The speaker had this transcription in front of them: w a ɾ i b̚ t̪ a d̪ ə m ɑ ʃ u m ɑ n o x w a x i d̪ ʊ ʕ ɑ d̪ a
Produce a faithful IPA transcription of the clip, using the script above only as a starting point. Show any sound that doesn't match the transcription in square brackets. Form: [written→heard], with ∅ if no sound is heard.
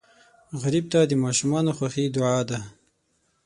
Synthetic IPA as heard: [w→ɣ] a ɾ i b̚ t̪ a d̪ ə m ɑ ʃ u m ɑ n o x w a x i d̪ ʊ ʕ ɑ d̪ a